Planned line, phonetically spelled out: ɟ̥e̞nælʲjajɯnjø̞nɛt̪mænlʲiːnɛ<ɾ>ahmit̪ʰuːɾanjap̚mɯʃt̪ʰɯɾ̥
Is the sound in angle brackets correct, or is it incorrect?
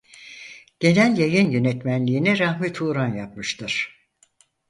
correct